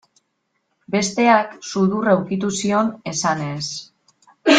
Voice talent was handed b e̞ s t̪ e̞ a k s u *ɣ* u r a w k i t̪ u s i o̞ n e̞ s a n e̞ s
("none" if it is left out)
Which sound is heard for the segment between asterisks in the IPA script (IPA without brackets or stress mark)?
ð